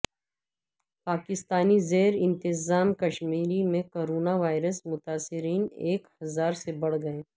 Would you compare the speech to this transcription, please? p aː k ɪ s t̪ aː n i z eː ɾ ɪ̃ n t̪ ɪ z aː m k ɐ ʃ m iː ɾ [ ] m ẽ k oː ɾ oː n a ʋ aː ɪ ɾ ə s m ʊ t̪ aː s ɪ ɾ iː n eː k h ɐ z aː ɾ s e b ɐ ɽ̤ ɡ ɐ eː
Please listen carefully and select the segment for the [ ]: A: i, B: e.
A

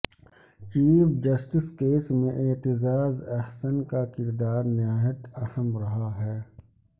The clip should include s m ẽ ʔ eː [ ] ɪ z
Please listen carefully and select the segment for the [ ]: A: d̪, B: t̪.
B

